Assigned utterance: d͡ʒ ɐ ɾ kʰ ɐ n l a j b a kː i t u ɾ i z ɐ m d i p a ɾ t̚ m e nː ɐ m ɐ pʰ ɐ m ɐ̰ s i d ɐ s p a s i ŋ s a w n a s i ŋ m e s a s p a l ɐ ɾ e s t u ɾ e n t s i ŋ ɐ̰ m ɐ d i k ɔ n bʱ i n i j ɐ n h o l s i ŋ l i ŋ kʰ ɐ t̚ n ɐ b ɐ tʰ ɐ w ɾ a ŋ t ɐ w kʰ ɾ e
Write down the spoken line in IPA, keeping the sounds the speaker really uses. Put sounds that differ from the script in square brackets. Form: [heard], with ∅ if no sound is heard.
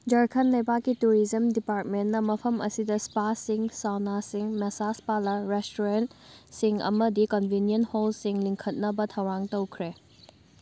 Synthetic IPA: d͡ʒ ɐ ɾ kʰ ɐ n l [ɐ] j b a kː i t u ɾ i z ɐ m d i p a ɾ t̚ m e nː ɐ m ɐ pʰ ɐ m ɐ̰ s i d ɐ s p a s i ŋ s a w n a s i ŋ m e s a s p a l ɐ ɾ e s t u ɾ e n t s i ŋ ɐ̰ m ɐ d i k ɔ n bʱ i n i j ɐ n h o l s i ŋ l i ŋ kʰ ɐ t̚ n ɐ b ɐ tʰ ɐ w ɾ a ŋ t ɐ w kʰ ɾ e

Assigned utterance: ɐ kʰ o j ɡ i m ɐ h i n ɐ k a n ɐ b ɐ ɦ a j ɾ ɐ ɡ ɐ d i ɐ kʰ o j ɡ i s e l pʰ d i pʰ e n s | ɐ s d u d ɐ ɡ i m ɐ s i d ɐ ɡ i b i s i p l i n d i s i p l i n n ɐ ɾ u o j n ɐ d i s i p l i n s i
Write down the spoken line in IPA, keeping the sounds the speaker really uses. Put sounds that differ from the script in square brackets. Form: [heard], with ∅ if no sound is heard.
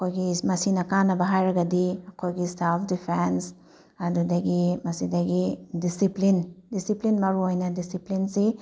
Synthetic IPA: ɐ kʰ o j ɡ i m ɐ [s] i n ɐ k a n ɐ b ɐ ɦ a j ɾ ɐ ɡ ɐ d i ɐ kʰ o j ɡ i s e l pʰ d i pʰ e n s | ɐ [∅] d u d ɐ ɡ i m ɐ s i d ɐ ɡ i [d] i s i p l i n d i s i p l i n [m] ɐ ɾ u o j n ɐ d i s i p l i n s i

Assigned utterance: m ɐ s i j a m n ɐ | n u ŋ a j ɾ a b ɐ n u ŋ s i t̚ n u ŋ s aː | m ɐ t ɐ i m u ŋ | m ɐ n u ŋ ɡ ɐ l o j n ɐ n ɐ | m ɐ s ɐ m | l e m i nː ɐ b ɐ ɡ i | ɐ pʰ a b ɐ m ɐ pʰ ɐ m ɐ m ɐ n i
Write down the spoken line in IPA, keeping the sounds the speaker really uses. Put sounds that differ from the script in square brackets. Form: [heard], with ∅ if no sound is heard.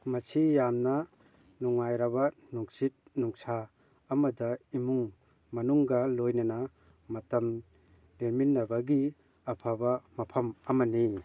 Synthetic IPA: m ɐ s i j a m n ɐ | n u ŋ a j ɾ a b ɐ n u ŋ s i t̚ n u ŋ s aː | m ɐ [d] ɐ i m u ŋ | m ɐ n u ŋ ɡ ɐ l o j n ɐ n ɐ | m ɐ [t] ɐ m | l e m i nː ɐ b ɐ ɡ i | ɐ pʰ a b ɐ m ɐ pʰ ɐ m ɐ m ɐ n i

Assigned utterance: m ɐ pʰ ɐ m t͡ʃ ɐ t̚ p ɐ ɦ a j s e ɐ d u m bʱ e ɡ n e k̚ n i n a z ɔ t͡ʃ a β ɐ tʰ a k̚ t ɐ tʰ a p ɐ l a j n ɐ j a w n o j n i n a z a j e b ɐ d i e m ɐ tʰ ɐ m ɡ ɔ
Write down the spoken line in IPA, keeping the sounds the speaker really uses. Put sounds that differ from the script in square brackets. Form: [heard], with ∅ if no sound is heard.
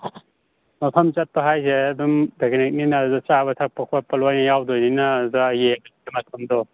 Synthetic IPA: m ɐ pʰ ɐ m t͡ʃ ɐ t̚ p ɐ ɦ a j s e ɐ d u m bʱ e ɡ n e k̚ n i n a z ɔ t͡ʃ a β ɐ tʰ a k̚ [p] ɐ [kʰ] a p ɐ l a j n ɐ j a w [d] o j n i n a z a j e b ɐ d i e m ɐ tʰ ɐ m [d] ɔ

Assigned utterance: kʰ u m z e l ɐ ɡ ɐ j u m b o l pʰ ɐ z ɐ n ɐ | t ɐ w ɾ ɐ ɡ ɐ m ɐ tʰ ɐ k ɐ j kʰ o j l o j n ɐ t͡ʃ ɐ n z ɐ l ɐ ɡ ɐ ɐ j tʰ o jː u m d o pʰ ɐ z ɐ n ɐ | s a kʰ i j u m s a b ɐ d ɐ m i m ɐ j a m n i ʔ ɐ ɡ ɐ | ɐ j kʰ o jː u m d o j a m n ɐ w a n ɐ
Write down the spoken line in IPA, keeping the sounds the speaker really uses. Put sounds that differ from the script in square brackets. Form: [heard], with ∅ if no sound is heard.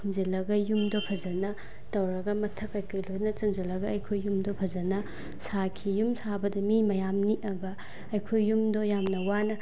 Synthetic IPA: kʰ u m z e l ɐ ɡ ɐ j u m [d] o [∅] pʰ ɐ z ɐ n ɐ | t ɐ w ɾ ɐ ɡ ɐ m ɐ tʰ ɐ k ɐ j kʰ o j l o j n ɐ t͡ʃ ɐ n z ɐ l ɐ ɡ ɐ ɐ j [kʰ] o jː u m d o pʰ ɐ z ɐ n ɐ | s a kʰ i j u m s a b ɐ d ɐ m i m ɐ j a m n i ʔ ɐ ɡ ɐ | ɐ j kʰ o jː u m d o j a m n ɐ w a n ɐ

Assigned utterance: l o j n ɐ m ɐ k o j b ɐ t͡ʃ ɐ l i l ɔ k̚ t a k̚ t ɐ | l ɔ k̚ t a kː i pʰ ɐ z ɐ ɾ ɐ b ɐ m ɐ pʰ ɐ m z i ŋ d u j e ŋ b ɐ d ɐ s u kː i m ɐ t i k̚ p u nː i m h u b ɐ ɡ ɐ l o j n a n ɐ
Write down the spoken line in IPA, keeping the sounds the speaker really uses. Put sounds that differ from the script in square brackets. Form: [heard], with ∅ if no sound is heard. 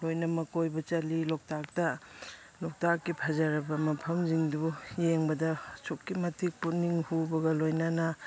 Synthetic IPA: l o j n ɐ m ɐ k o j b ɐ t͡ʃ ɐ l i l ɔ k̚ t a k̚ t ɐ | l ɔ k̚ t a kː i pʰ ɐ z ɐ ɾ ɐ b ɐ m ɐ pʰ ɐ m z i ŋ d u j e ŋ b ɐ d ɐ s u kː i m ɐ t i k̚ p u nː i [ŋ] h u b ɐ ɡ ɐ l o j n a n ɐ

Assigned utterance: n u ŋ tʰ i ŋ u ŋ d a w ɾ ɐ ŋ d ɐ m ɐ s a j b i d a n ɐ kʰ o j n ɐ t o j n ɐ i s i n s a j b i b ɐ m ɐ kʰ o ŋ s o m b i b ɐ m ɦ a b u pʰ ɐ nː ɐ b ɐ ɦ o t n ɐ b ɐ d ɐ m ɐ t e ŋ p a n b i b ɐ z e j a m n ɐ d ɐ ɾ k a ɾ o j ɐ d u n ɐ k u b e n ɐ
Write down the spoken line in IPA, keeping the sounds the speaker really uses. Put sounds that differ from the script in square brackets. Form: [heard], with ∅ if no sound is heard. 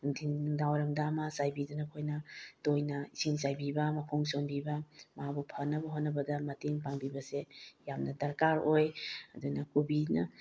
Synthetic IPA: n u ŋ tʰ i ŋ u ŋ d a w ɾ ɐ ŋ d [a] m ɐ s a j b i d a n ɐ kʰ o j n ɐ t o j n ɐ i s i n s a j b i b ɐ m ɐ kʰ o ŋ s o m b i b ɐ m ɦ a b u pʰ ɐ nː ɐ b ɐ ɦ o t n ɐ b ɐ d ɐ m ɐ t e ŋ p a [ŋ] b i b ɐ [s] e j a m n ɐ d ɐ ɾ k a ɾ o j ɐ d u n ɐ k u b [i] n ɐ

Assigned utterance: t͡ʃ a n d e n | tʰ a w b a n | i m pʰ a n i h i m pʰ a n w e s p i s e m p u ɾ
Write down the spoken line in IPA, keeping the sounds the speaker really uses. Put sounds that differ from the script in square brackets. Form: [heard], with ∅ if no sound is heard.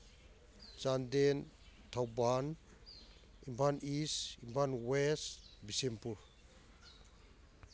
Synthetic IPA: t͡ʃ a n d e n | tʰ a w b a n | i m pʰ a n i [s] i m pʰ a n w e s [b] i s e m p u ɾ

